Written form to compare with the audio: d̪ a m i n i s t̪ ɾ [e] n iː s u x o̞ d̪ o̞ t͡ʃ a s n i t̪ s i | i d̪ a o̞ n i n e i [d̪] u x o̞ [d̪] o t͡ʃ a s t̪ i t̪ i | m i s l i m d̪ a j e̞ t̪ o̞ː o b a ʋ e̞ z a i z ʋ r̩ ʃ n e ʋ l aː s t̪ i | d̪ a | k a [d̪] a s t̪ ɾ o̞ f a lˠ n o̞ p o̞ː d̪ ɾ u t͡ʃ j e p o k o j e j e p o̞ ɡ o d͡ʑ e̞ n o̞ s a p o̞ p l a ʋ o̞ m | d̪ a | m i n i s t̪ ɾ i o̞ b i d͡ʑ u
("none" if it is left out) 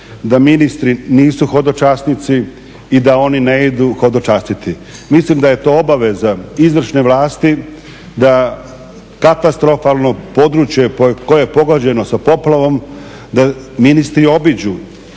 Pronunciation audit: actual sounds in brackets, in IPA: i, d̪, d̪, t̪

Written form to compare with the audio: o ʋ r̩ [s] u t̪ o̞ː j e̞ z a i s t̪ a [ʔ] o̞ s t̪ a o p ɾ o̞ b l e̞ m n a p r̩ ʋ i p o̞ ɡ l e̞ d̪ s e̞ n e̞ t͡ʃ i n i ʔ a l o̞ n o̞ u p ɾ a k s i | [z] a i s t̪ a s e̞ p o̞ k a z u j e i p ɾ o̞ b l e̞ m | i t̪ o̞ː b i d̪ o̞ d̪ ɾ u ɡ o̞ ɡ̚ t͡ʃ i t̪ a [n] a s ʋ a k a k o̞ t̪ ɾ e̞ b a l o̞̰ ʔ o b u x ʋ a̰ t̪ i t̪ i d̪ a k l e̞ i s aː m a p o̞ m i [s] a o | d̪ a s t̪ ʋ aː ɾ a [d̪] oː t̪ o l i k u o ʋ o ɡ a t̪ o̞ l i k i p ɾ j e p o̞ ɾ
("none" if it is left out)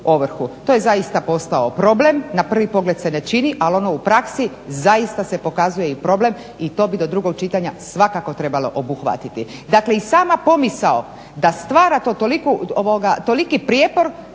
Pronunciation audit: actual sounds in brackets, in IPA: x, p, z, ɲ, s, t̪

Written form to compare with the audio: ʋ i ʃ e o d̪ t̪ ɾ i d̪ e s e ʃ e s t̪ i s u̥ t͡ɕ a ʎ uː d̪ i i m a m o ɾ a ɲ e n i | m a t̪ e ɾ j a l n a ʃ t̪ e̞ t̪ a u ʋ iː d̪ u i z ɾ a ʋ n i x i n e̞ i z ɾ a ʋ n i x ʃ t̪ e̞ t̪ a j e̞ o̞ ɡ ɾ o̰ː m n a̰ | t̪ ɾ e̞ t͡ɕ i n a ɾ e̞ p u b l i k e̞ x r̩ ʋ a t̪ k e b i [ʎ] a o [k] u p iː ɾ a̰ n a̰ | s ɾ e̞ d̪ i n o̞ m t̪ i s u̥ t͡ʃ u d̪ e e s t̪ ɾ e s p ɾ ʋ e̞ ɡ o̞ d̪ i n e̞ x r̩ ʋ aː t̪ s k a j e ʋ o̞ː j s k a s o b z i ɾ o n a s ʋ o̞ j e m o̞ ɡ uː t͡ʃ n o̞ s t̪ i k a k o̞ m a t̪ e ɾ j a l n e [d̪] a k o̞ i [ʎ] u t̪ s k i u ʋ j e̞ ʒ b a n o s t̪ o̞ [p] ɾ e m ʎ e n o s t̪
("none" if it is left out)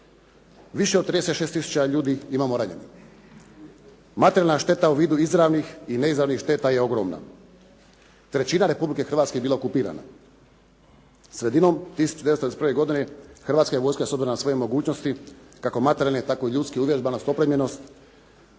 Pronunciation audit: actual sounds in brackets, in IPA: l, k, t̪, ʎ, p

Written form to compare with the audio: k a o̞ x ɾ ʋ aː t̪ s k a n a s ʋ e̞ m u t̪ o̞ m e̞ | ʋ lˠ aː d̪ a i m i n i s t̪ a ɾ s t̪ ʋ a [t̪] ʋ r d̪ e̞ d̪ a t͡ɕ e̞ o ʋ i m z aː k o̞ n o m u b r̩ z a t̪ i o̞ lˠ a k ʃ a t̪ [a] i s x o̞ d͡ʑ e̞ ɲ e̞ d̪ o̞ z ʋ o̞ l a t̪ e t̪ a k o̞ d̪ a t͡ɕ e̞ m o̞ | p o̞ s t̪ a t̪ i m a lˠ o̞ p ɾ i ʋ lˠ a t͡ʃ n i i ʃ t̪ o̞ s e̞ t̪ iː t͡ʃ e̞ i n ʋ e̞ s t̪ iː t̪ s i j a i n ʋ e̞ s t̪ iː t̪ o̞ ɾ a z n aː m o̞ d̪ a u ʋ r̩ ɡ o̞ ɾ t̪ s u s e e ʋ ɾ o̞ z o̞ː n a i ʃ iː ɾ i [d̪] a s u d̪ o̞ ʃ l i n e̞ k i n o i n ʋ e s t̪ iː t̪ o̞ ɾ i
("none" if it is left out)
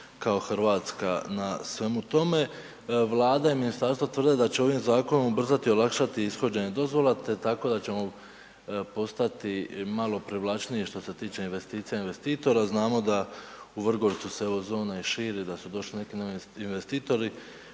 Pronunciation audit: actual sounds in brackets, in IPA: t̪, i, d̪

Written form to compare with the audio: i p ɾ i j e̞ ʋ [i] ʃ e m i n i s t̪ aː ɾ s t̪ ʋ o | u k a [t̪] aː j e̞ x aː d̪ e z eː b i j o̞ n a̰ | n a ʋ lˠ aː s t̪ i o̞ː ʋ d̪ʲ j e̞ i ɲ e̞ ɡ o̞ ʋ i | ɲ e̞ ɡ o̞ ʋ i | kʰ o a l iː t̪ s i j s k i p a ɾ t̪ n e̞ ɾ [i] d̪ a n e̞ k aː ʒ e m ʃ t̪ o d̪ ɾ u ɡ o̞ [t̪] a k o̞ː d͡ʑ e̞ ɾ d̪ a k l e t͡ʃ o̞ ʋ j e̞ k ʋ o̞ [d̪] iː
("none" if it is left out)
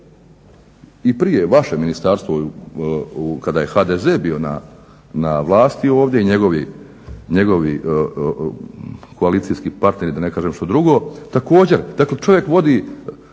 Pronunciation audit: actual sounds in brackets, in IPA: a, d̪, i, t̪, d̪

